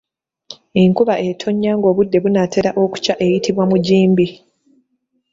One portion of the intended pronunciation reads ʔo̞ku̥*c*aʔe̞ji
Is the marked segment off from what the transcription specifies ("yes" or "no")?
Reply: no